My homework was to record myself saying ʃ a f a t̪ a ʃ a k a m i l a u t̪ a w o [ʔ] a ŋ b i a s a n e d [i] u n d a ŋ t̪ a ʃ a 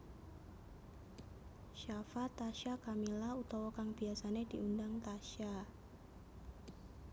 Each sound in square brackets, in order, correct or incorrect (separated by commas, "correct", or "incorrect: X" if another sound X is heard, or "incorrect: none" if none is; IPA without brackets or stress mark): incorrect: k, correct